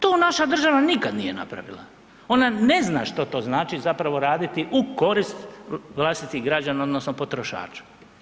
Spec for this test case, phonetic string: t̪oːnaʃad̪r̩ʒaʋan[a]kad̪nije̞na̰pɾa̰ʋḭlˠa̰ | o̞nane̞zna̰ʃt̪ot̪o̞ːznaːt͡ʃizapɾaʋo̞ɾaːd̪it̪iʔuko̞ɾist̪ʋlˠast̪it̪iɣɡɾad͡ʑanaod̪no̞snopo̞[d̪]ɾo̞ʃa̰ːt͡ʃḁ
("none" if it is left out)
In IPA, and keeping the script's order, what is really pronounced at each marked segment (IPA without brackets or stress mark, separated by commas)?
i, t̪